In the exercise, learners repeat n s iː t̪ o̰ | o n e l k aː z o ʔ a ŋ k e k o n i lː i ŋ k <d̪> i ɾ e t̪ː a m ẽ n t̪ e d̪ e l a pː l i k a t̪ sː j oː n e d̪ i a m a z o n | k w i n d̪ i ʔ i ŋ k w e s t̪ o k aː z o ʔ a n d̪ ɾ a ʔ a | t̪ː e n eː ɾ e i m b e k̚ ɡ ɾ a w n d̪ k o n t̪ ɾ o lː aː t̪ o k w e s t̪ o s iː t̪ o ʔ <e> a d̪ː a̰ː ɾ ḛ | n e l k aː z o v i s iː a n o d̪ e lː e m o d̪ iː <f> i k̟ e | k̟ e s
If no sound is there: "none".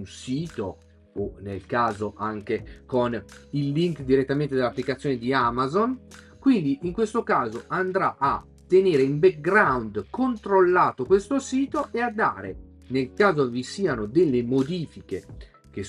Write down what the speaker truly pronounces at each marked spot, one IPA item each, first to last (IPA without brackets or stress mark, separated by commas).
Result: d̪, e, f